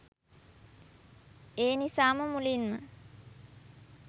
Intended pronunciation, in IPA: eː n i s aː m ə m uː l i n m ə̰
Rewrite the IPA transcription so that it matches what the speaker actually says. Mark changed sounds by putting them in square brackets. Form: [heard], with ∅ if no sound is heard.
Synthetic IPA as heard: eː n i s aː m ə m [u] l i n m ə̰